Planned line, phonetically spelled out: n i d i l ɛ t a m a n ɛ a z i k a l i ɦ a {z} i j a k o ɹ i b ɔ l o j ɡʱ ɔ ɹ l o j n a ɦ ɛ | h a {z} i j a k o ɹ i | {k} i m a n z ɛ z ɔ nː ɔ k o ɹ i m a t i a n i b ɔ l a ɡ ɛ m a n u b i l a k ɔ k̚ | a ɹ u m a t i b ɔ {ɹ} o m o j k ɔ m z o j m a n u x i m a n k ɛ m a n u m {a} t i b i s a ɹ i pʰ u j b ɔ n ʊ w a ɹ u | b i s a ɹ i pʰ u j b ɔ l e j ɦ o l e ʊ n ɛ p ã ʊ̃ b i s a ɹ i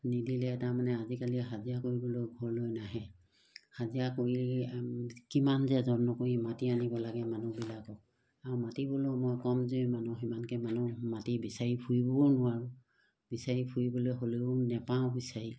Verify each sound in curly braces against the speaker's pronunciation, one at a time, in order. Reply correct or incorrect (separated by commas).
correct, correct, correct, incorrect, correct